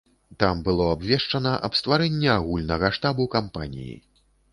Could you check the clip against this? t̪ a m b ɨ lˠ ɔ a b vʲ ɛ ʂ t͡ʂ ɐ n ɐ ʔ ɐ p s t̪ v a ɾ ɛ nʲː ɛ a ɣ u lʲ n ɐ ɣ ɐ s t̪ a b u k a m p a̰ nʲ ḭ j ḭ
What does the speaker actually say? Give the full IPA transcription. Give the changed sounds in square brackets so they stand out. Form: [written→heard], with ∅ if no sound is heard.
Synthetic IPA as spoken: t̪ a m b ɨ lˠ ɔ a b vʲ ɛ ʂ t͡ʂ ɐ n ɐ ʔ ɐ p s t̪ v a ɾ ɛ nʲː ɛ a ɣ u lʲ n ɐ ɣ ɐ [s→ʂ] t̪ a b u k a m p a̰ nʲ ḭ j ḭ